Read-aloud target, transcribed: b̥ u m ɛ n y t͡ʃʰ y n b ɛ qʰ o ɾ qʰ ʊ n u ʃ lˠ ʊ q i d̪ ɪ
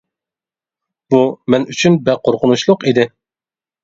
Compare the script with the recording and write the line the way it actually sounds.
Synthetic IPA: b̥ u m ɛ n y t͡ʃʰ y n b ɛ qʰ o ɾ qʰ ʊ n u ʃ lˠ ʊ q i d̪ ɪ